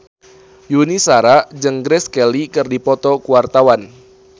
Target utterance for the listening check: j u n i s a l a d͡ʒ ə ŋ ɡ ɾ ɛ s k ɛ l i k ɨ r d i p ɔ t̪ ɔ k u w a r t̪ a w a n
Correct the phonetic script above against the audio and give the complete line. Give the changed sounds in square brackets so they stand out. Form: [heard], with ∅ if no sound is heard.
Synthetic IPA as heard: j u n i s a [ɾ] a d͡ʒ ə ŋ ɡ ɾ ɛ s k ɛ l i k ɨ r d i p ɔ t̪ ɔ k u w a r t̪ a w a n